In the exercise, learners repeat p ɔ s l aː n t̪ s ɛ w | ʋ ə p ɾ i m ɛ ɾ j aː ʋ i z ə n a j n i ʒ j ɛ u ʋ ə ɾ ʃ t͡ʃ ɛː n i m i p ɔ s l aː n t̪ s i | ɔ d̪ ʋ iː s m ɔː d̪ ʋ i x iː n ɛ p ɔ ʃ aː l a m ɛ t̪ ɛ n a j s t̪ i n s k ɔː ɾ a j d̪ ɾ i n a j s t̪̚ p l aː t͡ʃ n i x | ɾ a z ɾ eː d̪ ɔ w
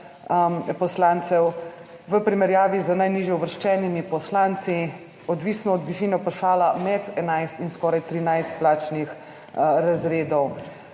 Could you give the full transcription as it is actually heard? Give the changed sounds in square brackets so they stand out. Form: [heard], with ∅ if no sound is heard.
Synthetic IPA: p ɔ s l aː n t̪ s ɛ w | ʋ ə p ɾ i m ɛ ɾ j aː ʋ i z ə n a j n i ʒ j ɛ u ʋ ə ɾ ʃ t͡ʃ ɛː n i m i p ɔ s l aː n t̪ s i | ɔ d̪ ʋ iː s [n] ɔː d̪ ʋ i [ʃ] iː n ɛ p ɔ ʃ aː l a m ɛ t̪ ɛ n a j s t̪ i n s k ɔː ɾ a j [t̪] ɾ i n a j s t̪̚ p l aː t͡ʃ n i x | ɾ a z ɾ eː d̪ ɔ w